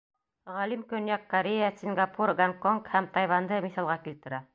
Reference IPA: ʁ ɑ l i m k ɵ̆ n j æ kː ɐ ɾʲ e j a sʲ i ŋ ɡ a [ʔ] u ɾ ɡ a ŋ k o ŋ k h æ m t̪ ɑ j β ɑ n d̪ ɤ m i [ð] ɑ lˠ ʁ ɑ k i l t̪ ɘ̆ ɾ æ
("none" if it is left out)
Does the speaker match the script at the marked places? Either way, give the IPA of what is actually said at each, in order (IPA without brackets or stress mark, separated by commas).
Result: p, θ